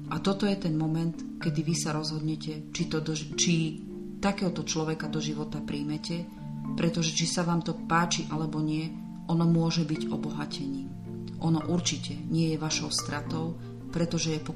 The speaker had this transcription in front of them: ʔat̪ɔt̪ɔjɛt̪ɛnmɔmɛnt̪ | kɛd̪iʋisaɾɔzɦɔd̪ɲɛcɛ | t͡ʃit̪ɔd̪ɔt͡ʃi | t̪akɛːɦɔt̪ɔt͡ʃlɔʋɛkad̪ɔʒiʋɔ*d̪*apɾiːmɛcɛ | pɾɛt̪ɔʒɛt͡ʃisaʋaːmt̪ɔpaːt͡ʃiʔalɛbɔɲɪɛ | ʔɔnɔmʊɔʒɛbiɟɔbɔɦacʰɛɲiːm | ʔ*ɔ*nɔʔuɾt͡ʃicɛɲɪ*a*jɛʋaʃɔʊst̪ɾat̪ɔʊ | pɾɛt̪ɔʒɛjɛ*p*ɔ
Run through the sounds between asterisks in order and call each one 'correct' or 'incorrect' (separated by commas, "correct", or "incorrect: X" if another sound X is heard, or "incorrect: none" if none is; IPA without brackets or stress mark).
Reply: incorrect: t̪, correct, incorrect: ɛ, correct